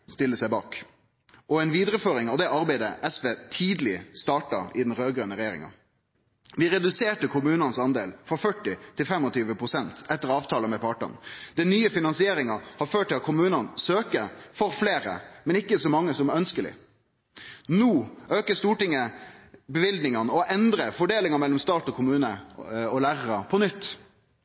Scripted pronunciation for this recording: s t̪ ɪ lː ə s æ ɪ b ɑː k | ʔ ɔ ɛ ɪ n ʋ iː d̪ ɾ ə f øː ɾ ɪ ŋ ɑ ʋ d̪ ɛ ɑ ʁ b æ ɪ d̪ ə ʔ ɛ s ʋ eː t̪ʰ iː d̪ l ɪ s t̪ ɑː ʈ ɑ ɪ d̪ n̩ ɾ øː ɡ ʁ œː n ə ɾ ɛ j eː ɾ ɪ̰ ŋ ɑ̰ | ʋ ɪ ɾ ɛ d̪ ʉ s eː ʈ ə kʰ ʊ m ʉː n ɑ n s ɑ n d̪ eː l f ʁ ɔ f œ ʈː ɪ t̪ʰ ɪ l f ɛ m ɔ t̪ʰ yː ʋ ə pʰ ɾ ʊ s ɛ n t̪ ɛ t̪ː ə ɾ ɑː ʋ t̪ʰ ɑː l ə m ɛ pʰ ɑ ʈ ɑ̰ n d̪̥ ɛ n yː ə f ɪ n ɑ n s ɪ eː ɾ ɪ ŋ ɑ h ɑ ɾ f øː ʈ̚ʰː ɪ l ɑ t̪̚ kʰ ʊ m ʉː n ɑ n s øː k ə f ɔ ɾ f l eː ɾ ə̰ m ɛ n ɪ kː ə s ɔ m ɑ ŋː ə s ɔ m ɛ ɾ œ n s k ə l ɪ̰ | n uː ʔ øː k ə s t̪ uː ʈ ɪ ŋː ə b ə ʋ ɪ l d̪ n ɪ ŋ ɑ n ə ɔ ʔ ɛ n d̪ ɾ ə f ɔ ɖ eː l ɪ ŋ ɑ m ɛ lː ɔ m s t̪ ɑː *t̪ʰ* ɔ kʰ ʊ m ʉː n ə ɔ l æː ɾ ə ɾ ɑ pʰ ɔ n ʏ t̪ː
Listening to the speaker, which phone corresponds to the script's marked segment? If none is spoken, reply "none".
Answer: t̪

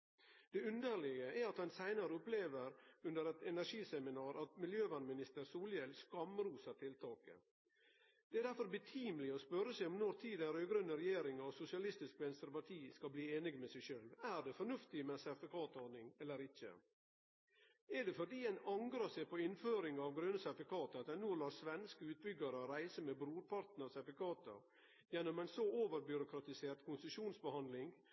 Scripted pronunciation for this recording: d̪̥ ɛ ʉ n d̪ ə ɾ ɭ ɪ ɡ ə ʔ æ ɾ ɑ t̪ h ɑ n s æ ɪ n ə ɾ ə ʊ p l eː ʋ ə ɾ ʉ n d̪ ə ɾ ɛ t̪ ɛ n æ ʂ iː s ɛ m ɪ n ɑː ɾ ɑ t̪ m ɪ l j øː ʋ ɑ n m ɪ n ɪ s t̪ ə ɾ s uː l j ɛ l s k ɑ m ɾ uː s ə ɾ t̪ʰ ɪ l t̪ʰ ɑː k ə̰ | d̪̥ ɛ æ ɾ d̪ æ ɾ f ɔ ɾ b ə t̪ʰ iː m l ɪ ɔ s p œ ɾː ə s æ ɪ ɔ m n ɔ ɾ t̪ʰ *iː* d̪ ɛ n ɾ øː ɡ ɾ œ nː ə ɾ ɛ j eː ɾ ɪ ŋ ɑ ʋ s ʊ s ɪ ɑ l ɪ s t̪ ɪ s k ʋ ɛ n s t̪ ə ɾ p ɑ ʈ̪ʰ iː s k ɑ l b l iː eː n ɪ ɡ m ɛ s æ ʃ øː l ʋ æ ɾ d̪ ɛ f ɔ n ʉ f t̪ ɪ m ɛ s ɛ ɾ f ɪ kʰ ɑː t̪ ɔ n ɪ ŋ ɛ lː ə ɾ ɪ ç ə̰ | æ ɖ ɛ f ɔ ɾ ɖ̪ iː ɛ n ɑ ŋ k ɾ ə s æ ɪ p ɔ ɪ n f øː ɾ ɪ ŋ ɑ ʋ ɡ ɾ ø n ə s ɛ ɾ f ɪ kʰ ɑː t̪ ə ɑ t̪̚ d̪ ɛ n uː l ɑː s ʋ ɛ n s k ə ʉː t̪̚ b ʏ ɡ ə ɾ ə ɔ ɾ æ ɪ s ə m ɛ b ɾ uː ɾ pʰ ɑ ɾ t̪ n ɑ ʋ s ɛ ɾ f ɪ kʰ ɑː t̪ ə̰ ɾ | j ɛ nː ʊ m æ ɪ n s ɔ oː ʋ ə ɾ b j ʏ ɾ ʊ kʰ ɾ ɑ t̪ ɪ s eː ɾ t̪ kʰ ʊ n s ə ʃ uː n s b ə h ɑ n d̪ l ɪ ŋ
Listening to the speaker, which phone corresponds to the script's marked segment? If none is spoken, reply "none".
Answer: iː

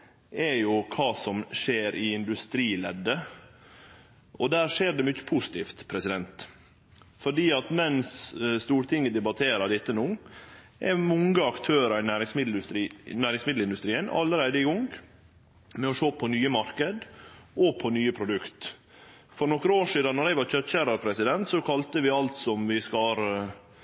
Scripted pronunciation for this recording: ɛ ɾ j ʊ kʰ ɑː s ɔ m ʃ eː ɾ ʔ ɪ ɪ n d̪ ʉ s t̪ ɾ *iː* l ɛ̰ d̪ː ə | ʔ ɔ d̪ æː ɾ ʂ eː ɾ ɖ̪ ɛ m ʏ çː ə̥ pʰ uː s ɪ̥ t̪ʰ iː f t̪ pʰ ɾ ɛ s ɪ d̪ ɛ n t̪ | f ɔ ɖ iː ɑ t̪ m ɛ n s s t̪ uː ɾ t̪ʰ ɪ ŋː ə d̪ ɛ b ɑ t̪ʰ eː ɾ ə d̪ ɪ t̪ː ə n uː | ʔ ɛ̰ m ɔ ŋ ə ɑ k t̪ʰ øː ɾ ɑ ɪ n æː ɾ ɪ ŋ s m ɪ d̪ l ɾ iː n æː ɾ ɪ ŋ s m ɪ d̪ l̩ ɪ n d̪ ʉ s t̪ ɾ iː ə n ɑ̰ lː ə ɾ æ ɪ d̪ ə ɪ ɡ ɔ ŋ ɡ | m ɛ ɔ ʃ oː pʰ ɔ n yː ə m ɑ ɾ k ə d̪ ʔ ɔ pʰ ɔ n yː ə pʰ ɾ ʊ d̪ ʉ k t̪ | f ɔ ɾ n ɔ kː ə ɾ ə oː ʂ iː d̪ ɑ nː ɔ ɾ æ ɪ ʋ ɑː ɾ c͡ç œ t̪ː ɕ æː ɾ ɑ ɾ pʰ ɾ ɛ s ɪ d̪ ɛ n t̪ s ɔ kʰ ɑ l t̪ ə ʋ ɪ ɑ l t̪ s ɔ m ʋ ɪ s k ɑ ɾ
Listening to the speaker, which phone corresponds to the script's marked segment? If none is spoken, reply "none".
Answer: iː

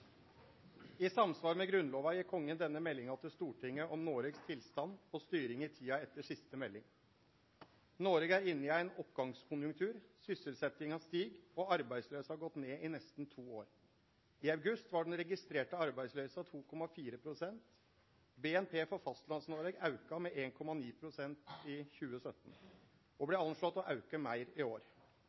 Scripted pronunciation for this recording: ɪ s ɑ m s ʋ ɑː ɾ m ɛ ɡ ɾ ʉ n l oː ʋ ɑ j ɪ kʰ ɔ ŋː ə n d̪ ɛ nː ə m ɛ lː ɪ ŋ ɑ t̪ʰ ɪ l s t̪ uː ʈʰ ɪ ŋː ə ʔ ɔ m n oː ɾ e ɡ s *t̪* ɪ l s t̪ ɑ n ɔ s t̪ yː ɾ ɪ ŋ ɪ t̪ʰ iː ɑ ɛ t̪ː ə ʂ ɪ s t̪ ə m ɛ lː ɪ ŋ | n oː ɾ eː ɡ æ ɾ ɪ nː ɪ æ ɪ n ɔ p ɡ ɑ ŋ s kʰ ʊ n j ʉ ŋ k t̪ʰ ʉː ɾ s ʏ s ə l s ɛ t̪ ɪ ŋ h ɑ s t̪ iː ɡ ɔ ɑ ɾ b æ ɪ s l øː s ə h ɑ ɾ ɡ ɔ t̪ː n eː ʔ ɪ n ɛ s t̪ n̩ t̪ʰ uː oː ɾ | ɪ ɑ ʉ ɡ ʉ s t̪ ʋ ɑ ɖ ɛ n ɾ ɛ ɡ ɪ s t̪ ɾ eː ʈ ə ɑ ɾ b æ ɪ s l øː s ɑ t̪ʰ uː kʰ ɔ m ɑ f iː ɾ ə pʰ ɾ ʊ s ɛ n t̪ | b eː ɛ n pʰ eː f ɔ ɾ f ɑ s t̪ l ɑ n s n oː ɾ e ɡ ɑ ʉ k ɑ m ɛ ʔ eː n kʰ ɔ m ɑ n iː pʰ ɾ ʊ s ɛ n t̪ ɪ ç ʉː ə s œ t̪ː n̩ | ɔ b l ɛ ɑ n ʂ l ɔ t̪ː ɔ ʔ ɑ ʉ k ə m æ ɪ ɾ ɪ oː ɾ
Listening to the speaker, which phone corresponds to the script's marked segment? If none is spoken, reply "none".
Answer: t̪ʰ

